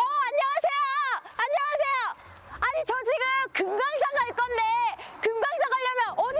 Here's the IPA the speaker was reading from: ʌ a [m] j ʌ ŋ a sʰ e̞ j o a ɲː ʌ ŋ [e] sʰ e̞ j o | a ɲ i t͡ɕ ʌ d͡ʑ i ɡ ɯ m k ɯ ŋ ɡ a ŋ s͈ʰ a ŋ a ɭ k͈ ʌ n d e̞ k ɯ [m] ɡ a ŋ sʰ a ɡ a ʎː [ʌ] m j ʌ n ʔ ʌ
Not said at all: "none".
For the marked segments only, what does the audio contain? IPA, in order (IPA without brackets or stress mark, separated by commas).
ɲ, a, ŋ, ʌ